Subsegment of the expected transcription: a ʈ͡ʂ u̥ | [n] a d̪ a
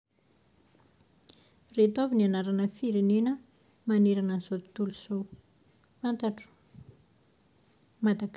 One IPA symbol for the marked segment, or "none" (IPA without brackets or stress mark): m